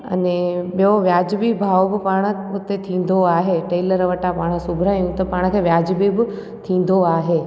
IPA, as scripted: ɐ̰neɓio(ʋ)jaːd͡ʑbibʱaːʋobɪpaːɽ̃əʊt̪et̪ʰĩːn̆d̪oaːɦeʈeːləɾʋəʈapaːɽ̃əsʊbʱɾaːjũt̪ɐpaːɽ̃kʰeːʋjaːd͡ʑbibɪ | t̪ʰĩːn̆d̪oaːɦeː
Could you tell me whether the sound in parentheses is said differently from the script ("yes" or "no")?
no